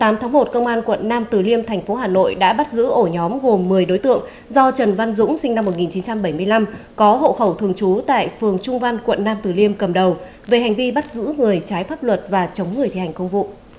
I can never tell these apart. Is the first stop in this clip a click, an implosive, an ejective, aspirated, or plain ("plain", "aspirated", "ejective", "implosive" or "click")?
plain